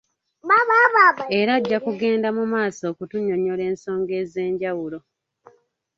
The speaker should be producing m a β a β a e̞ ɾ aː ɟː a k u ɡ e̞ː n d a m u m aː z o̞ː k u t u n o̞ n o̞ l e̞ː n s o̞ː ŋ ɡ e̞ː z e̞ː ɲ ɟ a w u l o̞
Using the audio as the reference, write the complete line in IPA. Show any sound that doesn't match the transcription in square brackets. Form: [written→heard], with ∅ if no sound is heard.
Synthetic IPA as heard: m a β a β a e̞ ɾ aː ɟː a k u ɡ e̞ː n d a m u m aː [z→s] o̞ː k u t u [n→ɲ] o̞ [n→ɲ] o̞ l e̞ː n s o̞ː ŋ ɡ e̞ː z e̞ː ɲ ɟ a w u l o̞